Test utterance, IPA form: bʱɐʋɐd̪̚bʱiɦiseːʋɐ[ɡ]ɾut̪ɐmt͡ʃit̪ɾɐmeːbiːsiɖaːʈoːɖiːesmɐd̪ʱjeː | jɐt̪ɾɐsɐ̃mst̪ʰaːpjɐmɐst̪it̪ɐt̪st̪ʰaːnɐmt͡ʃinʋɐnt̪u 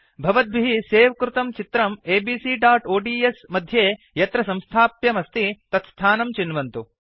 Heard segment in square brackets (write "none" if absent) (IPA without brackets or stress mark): k